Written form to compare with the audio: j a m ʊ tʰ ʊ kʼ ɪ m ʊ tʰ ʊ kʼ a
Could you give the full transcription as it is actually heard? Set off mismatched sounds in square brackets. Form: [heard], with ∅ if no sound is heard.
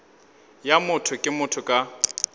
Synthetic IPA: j a m ʊ tʰ ʊ kʼ ɪ m ʊ tʰ ʊ kʼ a